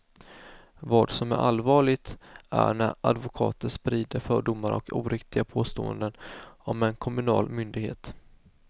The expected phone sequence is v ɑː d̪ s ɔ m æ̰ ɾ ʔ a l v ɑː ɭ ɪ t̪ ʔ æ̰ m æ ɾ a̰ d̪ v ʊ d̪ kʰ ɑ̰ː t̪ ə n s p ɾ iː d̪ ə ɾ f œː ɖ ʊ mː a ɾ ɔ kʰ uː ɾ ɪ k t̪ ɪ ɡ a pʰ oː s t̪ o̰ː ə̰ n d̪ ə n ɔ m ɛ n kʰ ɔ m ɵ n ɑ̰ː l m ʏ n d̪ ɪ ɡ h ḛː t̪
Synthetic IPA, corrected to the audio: v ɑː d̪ s ɔ m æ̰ ɾ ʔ a l v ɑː ɭ ɪ t̪ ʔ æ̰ ɳ æ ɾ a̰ d̪ v ʊ kʰ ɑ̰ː t̪ ə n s p ɾ iː d̪ ə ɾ f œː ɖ ʊ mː a ɾ ɔ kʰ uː ɾ ɪ k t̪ ɪ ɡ a pʰ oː s t̪ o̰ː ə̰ n d̪ ə n ɔ m ɛ n kʰ ɔ m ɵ n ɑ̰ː l m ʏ n d̪ ɪ ɡ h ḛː t̪